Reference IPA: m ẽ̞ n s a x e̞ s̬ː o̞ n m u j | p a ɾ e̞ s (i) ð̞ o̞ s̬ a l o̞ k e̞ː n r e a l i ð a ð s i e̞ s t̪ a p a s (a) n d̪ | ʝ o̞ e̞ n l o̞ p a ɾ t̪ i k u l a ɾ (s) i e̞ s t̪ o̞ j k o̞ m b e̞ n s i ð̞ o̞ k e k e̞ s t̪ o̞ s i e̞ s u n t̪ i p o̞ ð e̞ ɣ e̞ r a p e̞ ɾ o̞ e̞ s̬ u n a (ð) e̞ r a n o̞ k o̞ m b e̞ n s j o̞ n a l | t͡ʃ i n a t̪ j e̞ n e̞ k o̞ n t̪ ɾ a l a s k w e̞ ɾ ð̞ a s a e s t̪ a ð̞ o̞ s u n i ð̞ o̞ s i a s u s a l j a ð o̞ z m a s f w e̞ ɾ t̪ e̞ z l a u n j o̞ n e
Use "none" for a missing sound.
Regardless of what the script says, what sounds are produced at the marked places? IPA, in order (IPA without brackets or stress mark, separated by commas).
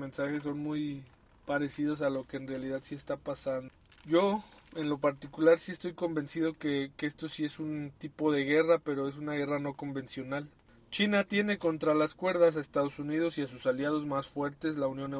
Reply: i, a, s, ɣ